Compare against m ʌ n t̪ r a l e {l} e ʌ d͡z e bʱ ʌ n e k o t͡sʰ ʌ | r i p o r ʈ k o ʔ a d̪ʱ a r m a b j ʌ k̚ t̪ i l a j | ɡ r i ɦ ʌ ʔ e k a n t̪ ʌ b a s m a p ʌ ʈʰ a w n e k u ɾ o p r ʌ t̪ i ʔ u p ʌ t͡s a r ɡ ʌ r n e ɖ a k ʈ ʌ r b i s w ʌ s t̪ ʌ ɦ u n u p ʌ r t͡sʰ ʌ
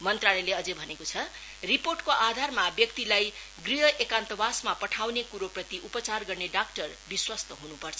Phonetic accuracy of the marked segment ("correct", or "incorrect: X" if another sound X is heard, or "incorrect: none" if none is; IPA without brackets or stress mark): correct